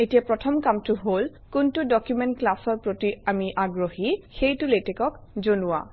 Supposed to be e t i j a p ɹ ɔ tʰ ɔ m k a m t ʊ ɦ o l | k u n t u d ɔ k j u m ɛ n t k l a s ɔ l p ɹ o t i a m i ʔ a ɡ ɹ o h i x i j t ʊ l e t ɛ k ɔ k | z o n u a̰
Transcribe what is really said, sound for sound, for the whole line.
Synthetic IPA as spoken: e t i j a p ɹ ɔ tʰ ɔ m k a m t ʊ ɦ o l | k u n t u d ɔ k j u m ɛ n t k l a s ɔ ɹ p ɹ o t i a m i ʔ a ɡ ɹ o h i x e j t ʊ l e t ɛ k ɔ k | z o n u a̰